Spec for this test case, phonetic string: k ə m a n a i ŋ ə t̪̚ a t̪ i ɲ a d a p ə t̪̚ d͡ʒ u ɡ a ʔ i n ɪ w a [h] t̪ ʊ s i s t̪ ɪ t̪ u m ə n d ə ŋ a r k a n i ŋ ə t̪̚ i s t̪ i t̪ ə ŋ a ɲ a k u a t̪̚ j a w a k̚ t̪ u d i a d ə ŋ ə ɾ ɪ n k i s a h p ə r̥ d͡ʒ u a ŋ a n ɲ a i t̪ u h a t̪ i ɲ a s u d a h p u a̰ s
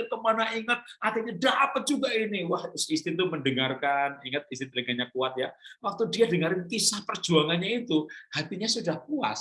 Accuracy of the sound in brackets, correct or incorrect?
correct